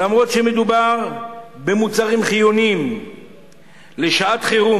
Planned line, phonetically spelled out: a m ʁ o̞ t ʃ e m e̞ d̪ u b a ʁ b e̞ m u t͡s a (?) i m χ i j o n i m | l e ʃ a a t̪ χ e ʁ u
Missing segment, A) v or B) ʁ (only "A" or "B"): B